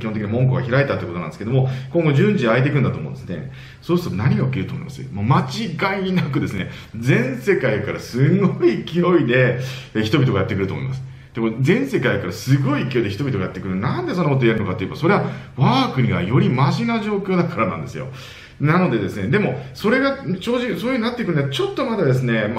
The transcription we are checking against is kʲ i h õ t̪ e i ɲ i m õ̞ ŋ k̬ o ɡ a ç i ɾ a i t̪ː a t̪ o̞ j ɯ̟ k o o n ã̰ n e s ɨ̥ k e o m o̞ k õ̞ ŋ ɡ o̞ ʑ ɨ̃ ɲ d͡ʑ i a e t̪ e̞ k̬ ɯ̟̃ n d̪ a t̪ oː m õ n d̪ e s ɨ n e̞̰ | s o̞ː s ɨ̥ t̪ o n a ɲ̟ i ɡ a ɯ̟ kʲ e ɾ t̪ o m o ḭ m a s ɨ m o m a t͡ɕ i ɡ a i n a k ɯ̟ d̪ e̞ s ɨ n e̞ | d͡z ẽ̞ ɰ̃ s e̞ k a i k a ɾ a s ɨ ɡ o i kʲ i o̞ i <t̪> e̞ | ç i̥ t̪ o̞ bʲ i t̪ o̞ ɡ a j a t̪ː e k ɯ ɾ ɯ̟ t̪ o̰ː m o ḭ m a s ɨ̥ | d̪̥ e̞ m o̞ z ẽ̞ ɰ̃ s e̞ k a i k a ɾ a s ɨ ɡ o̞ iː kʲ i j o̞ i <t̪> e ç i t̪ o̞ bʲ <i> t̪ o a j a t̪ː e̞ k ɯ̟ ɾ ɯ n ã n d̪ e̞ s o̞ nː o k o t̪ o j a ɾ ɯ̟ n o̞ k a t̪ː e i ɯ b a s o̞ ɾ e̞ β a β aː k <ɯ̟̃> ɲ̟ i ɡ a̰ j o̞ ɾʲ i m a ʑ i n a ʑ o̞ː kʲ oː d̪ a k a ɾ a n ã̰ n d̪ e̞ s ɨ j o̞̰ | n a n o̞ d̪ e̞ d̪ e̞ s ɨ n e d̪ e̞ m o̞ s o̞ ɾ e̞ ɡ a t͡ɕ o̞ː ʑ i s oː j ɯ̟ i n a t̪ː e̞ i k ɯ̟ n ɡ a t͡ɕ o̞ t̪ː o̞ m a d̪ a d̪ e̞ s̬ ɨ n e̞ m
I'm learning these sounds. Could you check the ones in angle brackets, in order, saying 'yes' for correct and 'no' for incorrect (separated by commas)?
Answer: no, no, yes, no